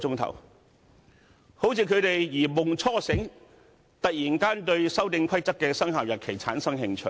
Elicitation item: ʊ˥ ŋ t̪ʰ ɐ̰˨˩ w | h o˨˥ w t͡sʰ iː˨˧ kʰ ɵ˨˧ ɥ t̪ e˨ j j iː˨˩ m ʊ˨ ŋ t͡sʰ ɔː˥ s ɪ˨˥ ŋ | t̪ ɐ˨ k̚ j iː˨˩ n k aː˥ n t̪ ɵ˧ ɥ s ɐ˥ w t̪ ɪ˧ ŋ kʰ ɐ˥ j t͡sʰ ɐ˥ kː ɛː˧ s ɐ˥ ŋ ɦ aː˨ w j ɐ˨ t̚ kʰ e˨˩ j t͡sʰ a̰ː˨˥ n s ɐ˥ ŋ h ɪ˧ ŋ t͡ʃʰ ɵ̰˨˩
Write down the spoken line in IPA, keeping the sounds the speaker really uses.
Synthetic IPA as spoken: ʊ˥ ŋ t̪ʰ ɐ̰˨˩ w | h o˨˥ w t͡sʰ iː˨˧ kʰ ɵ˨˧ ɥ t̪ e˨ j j iː˨˩ m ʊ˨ ŋ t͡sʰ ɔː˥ s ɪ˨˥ ŋ | t̪ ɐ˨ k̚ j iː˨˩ n k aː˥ n t̪ ɵ˧ ɥ s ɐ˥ w t̪ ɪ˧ ŋ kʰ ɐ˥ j t͡s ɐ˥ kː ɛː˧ s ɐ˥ ŋ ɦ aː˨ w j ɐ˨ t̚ kʰ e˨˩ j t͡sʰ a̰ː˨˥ n s ɐ˥ ŋ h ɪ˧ ŋ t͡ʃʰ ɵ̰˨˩